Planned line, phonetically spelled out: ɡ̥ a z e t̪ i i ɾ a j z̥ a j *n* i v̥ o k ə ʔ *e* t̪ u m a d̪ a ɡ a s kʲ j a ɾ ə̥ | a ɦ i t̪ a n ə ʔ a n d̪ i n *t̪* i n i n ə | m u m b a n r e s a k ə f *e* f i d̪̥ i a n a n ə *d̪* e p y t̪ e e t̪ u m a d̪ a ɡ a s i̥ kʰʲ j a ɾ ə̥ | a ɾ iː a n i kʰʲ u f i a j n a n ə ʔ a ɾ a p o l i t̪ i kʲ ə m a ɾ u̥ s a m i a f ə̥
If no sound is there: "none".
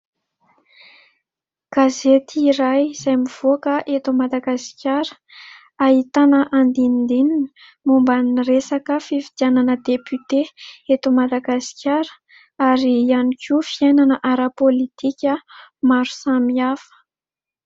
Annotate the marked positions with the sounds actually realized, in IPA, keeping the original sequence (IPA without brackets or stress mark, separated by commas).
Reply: m, e, d̪, i, d̪